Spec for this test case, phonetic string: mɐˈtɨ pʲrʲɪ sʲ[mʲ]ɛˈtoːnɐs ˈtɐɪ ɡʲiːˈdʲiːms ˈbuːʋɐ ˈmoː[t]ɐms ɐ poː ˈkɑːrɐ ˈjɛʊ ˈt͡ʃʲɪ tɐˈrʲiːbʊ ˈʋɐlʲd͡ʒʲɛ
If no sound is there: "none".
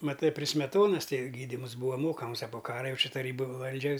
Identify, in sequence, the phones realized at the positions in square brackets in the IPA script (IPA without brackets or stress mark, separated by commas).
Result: mʲ, k